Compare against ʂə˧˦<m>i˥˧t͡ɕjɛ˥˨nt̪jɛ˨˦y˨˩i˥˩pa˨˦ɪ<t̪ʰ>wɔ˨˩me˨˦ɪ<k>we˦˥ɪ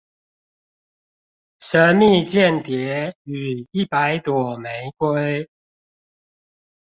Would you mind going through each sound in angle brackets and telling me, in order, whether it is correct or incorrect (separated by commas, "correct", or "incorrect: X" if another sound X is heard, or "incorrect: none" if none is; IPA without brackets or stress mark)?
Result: correct, incorrect: t̪, correct